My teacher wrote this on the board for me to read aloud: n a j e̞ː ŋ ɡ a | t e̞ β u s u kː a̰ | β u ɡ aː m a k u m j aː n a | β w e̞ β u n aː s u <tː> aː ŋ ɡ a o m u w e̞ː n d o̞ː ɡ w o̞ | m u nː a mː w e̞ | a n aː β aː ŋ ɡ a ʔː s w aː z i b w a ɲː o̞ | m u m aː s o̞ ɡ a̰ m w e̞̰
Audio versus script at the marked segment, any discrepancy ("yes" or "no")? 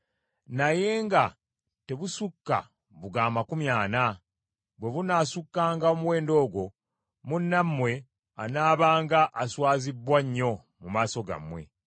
yes